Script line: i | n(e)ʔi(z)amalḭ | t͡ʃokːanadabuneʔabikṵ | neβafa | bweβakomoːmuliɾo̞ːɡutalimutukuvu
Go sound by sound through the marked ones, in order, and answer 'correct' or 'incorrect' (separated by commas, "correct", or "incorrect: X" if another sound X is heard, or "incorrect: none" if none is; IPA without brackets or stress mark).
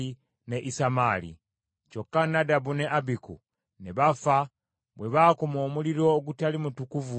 correct, incorrect: s